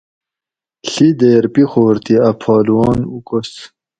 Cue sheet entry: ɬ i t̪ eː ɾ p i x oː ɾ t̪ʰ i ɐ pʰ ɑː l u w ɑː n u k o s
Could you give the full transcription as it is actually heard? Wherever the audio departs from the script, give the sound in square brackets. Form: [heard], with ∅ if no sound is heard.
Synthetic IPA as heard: ɬ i [d̪] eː ɾ p i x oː ɾ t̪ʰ i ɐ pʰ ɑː l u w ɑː n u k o s